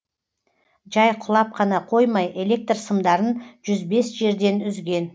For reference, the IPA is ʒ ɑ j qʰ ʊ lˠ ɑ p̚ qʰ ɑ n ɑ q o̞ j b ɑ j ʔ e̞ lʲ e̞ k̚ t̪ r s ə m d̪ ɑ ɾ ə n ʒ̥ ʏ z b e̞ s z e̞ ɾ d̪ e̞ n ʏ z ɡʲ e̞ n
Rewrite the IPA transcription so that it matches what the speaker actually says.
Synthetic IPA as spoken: ʒ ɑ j qʰ ʊ lˠ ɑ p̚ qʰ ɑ n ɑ qʰ o̞ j m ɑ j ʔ e̞ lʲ e̞ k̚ t̪ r s ə m d̪ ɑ ɾ ə n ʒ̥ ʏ z b e̞ s ʒ e̞ ɾ d̪ e̞ n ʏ z ɡʲ e̞ n